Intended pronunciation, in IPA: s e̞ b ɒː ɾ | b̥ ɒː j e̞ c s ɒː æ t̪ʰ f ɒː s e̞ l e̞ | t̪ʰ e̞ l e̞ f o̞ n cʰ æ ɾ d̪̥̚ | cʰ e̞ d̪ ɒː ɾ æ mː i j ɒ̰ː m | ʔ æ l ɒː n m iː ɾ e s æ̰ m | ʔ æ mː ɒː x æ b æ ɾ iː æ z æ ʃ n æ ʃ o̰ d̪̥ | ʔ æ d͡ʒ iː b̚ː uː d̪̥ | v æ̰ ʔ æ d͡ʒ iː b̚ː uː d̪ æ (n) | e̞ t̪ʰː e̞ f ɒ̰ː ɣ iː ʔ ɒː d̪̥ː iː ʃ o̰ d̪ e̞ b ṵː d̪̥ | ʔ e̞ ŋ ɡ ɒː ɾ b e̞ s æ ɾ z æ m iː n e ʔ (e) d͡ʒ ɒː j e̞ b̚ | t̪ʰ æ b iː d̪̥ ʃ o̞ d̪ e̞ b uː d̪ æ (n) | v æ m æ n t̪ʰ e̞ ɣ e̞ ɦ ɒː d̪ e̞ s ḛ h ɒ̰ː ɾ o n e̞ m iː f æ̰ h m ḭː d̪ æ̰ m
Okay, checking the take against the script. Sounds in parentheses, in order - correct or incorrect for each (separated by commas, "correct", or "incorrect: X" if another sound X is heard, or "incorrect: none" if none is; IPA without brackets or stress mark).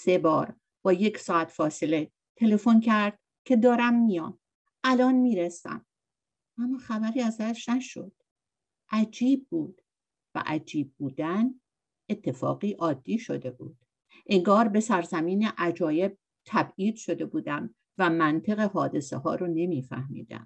correct, incorrect: æ, incorrect: m